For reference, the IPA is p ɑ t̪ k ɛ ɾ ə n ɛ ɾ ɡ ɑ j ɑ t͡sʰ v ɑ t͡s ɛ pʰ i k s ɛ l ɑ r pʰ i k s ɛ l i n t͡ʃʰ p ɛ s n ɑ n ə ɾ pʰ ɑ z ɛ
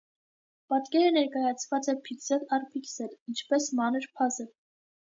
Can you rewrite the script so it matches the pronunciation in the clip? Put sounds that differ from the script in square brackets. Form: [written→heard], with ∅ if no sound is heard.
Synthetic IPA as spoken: p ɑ t̪ k ɛ ɾ ə n ɛ ɾ [ɡ→k] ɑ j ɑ t͡sʰ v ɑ t͡s ɛ pʰ i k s ɛ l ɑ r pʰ i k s ɛ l i n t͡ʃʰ p ɛ s [n→m] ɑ n ə ɾ pʰ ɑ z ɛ